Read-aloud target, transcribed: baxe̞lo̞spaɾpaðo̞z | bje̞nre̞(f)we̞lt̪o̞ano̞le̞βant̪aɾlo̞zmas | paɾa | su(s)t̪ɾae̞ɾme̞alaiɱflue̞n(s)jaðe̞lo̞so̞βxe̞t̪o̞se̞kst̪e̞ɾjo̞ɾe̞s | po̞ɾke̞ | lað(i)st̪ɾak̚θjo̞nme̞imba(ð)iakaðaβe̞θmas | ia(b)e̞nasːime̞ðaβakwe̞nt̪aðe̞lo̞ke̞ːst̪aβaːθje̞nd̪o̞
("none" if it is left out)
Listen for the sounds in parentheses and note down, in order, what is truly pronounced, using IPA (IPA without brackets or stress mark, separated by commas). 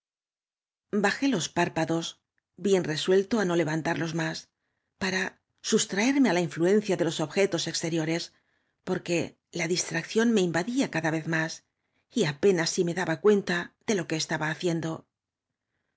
s, s, θ, i, ð, p